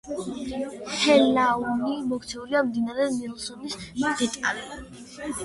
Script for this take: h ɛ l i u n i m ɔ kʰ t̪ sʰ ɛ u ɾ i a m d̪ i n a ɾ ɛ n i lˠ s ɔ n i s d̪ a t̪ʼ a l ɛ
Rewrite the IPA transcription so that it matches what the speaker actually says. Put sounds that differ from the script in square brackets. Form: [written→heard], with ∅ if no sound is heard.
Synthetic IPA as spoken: h ɛ l [i→a] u n i m ɔ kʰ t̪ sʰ ɛ u ɾ i a m d̪ i n a ɾ ɛ n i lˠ s ɔ n i s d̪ [a→ɛ] t̪ʼ a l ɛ